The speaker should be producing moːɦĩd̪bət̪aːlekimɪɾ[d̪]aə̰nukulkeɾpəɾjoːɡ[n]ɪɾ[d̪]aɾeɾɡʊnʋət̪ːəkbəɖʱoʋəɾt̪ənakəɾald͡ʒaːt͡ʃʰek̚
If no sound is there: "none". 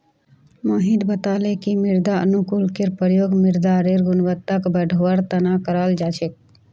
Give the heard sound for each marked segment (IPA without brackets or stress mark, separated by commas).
d̪, m, d̪